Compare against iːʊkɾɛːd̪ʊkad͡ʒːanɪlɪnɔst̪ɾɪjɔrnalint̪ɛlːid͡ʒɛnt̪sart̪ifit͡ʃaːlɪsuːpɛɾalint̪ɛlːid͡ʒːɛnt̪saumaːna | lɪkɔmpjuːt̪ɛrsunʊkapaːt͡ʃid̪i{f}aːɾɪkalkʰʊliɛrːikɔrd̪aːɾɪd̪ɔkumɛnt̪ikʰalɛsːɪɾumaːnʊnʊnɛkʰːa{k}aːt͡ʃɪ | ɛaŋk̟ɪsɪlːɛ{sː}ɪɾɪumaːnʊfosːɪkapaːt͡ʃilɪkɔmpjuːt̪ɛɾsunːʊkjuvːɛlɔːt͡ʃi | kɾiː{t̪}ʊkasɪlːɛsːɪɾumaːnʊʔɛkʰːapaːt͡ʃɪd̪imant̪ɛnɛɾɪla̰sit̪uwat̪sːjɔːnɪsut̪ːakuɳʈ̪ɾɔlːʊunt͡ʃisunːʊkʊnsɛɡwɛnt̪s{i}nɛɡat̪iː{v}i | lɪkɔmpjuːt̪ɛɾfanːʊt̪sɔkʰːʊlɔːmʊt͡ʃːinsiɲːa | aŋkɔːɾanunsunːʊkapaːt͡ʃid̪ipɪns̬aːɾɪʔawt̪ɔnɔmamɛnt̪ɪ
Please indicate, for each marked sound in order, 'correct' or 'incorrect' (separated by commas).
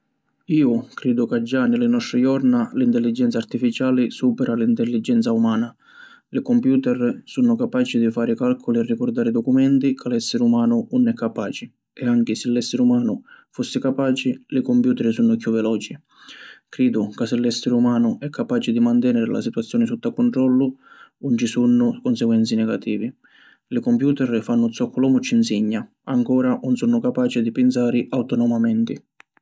correct, incorrect, correct, incorrect, correct, correct